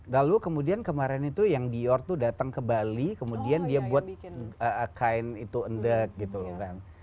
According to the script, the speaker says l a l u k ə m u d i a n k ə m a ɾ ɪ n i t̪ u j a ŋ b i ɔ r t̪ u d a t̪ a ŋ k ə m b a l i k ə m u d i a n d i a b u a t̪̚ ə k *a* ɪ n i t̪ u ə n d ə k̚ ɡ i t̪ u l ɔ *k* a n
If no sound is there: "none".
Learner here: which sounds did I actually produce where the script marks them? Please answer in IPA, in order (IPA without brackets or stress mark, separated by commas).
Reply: a, k